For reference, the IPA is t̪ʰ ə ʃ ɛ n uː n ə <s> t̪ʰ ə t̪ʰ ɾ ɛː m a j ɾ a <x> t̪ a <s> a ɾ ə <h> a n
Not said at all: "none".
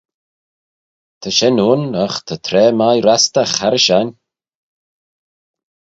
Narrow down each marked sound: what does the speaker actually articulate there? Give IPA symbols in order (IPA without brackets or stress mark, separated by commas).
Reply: x, s, x, ʃ